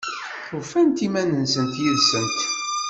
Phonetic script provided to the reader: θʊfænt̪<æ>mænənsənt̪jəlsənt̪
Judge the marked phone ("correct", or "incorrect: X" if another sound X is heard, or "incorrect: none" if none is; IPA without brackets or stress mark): incorrect: i